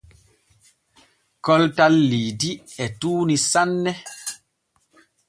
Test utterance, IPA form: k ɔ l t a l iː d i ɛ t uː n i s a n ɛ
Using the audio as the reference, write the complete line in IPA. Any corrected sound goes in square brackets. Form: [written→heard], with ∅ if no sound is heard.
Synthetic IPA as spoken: k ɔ l t a [l→lː] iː d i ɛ t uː n i s a [n→nː] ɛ